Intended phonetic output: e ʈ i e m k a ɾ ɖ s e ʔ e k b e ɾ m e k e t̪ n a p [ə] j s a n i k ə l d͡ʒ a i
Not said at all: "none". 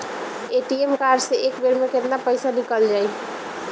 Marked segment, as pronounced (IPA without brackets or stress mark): ə